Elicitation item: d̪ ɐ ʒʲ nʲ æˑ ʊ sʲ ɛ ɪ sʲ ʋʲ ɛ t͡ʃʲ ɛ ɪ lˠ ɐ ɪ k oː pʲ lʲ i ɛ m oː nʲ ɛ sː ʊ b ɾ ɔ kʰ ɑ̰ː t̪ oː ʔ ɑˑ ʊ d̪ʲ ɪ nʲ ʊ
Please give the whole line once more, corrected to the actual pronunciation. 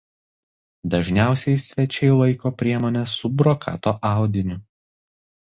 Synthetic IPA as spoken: d̪ ɐ ʒʲ nʲ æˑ ʊ sʲ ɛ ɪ sʲ ʋʲ ɛ t͡ʃʲ ɛ ɪ lˠ ɐ ɪ k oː pʲ ɾʲ i ɛ m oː nʲ ɛ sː ʊ b ɾ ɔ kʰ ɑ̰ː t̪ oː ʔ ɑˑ ʊ d̪ʲ ɪ nʲ ʊ